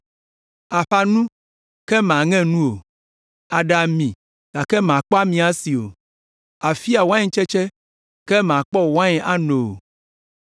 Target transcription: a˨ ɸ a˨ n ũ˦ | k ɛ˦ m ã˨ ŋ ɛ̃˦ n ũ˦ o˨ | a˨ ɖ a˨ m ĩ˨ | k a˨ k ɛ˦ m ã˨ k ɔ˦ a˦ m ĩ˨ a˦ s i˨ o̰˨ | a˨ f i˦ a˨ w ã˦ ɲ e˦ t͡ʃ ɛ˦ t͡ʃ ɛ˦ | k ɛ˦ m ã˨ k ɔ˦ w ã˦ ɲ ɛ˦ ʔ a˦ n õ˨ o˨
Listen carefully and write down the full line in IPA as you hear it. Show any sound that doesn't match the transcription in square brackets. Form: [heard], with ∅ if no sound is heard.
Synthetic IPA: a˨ ɸ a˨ n ũ˦ | k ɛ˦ m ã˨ ŋ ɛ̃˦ n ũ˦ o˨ | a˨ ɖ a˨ m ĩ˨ | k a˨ k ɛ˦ m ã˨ [k͡p] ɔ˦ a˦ m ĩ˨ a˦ s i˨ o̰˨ | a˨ f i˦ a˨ w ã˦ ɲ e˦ t͡ʃ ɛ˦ t͡ʃ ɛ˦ | k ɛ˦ m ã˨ [k͡p] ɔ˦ w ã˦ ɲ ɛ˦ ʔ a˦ n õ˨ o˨